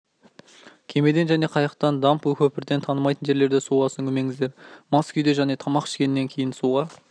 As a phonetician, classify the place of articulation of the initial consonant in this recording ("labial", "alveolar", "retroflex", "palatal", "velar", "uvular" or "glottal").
velar